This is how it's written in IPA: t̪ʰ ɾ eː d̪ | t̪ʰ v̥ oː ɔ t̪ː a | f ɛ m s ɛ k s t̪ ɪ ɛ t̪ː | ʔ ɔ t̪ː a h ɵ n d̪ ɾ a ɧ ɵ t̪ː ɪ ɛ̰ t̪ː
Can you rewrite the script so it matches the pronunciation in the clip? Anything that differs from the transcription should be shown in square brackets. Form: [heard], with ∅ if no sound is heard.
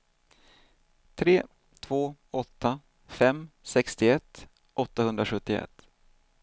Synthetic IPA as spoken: t̪ʰ ɾ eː [∅] | t̪ʰ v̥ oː ɔ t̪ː a | f ɛ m s ɛ k s t̪ ɪ ɛ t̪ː | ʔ ɔ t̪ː a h ɵ n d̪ ɾ a ɧ ɵ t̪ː ɪ ɛ̰ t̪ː

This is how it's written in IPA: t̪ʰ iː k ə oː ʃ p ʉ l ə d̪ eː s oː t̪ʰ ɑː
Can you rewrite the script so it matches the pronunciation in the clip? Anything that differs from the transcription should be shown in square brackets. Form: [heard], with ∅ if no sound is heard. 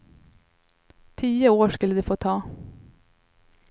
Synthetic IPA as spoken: t̪ʰ iː [∅] ə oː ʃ [k] ʉ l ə d̪ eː [f] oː t̪ʰ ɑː

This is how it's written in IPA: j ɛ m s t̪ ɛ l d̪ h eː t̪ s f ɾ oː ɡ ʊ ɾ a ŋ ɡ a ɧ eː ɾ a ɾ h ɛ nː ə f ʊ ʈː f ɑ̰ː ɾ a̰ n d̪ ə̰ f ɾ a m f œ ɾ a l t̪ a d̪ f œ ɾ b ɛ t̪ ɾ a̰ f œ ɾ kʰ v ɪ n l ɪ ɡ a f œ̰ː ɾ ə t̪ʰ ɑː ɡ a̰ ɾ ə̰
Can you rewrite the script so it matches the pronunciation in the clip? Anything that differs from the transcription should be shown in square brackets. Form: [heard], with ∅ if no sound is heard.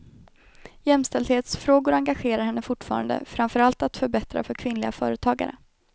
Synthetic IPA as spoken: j ɛ m s t̪ ɛ l d̪ h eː t̪ s f ɾ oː ɡ ʊ ɾ a ŋ ɡ a ɧ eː ɾ a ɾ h ɛ nː ə f ʊ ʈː f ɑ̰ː ɾ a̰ n d̪ ə̰ f ɾ a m f œ ɾ a l t̪ a [t̪] f œ ɾ b ɛ t̪ ɾ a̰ f œ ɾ kʰ v ɪ n l ɪ ɡ a f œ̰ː ɾ ə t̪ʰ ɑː ɡ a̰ ɾ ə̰

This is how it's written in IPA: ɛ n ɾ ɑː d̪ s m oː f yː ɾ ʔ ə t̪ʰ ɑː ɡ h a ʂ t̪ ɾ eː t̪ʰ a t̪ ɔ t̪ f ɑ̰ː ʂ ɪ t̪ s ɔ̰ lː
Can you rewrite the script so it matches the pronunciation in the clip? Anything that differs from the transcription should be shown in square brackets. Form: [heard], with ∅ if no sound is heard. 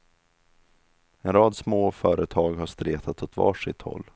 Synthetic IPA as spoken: ɛ n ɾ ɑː d̪ s m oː f [œː] ɾ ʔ ə t̪ʰ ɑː ɡ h a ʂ t̪ ɾ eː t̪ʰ a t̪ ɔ t̪ [v] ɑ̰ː ʂ ɪ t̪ [h] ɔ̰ lː

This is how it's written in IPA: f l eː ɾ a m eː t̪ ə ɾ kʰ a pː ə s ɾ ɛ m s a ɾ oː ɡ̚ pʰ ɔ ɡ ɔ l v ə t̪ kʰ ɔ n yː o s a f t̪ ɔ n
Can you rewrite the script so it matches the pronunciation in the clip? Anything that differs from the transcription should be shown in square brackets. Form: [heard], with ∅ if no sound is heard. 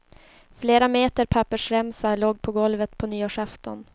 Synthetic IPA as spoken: f l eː ɾ a m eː t̪ ə ɾ [pʰ] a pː ə [ʂ] ɾ ɛ m s a [l] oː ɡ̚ pʰ ɔ ɡ ɔ l v ə t̪ [pʰ] ɔ n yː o [ʂ] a f t̪ ɔ n

